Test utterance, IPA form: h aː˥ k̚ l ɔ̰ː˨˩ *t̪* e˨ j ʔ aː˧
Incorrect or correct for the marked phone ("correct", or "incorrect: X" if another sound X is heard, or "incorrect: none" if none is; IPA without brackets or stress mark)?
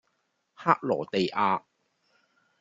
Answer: correct